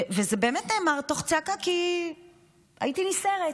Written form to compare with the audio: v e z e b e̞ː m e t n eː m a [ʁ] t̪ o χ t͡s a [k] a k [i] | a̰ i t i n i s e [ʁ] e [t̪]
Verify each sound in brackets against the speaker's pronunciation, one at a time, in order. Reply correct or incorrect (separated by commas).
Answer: correct, correct, correct, correct, incorrect